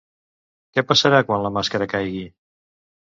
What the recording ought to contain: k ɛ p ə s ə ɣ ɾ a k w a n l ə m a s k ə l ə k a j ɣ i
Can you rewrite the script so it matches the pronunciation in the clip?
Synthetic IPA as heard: k ɛ p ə s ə ɾ a k w a n l ə m a s k ə ɾ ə k a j ɣ i